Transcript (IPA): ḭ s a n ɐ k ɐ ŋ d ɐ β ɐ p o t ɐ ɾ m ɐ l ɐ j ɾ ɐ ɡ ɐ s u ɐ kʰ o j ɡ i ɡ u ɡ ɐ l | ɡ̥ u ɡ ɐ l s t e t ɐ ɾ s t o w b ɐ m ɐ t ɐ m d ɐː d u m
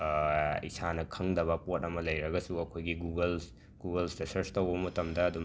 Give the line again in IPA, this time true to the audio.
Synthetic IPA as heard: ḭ s a n ɐ kʰ ɐ ŋ d ɐ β ɐ p o t ɐ m ɐ l ɐ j ɾ ɐ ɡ ɐ s u ɐ kʰ o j ɡ i ɡ u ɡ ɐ l | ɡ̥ u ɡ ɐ l s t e s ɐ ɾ s t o w b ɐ m ɐ t ɐ m d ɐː d u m